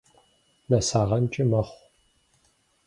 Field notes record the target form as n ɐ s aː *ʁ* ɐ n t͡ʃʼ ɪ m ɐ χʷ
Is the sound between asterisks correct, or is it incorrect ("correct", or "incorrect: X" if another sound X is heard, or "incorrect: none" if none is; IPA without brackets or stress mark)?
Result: correct